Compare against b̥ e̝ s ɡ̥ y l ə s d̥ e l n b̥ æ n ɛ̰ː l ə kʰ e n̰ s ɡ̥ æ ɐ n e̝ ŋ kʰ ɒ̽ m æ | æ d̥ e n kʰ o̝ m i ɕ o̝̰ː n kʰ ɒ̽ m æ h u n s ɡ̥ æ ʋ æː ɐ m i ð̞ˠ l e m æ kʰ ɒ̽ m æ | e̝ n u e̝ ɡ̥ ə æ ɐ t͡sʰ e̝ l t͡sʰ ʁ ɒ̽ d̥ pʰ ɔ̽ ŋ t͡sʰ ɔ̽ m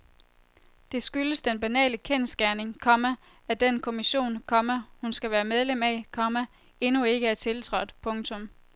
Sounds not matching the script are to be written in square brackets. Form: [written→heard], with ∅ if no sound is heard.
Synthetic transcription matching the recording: [b̥→d̥] e̝ s ɡ̥ y l ə s d̥ e [l→∅] n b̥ æ n ɛ̰ː l ə kʰ e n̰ s ɡ̥ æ ɐ n e̝ ŋ kʰ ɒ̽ m æ | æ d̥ e n kʰ o̝ m i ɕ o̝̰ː n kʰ ɒ̽ m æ h u n s ɡ̥ æ ʋ æː ɐ m [i→e] ð̞ˠ l e m æ kʰ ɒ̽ m æ | e̝ n u e̝ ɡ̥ ə æ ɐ t͡sʰ e̝ l t͡sʰ ʁ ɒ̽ d̥ pʰ ɔ̽ ŋ t͡sʰ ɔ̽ m